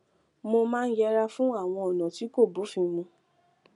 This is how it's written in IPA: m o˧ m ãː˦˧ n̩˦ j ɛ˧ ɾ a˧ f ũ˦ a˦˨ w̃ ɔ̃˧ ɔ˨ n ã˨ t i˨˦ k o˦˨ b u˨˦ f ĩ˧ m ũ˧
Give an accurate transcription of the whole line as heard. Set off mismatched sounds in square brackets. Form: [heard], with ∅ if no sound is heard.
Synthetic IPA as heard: m o˧ m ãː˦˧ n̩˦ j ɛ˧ ɾ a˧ f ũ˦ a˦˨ w̃ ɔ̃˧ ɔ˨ n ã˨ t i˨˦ k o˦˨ b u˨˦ f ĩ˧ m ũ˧